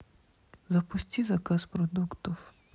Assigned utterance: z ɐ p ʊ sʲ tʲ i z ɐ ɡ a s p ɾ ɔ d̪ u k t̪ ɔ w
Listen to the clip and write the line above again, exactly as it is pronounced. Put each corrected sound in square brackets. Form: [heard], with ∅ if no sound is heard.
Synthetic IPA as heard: z ɐ p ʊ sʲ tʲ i z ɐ [k] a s p ɾ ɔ d̪ u k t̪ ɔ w